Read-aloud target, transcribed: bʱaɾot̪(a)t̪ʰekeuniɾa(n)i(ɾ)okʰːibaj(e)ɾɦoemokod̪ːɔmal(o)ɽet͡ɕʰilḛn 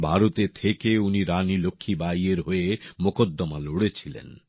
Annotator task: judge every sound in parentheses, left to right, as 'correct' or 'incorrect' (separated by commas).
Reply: incorrect, correct, incorrect, correct, correct